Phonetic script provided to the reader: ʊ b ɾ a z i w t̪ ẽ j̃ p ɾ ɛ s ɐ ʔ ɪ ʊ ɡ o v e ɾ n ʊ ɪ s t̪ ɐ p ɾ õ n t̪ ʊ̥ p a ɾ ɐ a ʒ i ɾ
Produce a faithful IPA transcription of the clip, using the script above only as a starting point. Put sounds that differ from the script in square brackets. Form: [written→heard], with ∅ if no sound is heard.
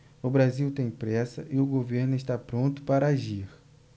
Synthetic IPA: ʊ b ɾ a z i w t̪ ẽ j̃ p ɾ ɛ s ɐ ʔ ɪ ʊ ɡ o v e ɾ n ʊ ɪ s t̪ [ɐ→a] p ɾ õ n t̪ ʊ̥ p a ɾ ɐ a ʒ i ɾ